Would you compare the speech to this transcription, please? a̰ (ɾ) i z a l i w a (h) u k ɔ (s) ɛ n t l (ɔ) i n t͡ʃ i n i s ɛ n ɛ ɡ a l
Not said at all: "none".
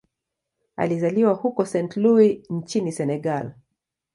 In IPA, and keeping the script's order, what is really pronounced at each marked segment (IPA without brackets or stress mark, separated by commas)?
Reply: l, h, s, u